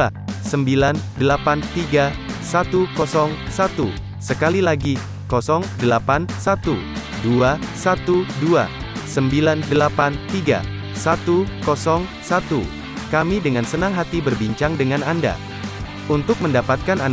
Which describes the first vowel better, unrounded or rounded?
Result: unrounded